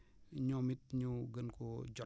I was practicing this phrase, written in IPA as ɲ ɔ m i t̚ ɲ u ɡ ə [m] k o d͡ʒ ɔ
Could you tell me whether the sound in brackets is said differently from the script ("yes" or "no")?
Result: yes